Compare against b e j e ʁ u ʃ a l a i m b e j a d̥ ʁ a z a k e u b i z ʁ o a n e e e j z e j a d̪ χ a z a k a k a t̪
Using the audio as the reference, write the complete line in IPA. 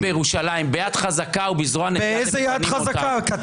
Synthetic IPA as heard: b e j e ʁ u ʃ a l a i m b e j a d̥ χ a z a k a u b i z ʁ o a n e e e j z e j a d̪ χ a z a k a k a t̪